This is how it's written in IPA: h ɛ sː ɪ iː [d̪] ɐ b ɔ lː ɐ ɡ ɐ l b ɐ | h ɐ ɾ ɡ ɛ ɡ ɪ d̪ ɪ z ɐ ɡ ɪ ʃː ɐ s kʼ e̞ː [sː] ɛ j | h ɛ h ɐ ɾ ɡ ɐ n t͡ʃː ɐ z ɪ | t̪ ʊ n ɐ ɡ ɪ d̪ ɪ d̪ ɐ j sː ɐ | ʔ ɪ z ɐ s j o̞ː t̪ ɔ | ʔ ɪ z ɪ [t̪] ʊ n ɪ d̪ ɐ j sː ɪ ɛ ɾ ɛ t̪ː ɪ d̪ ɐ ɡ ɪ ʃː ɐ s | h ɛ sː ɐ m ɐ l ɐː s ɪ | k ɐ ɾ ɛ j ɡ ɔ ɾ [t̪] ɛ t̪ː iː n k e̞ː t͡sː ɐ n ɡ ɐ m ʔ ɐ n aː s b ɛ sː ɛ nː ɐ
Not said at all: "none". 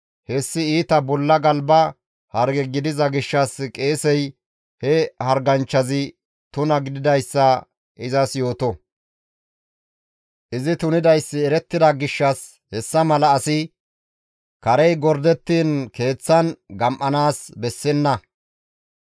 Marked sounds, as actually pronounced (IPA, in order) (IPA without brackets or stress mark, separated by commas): t̪, s, t̪, d̪